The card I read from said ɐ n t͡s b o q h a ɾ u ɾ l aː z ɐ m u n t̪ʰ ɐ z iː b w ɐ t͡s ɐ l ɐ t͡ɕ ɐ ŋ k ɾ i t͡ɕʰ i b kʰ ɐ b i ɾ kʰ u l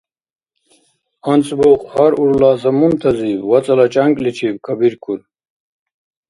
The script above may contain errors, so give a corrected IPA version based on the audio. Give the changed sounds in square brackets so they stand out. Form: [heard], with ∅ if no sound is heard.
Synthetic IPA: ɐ n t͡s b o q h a ɾ u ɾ l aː z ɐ m u n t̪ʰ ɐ z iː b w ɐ t͡s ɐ l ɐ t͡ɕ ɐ ŋ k [l] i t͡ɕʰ i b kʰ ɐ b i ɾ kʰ u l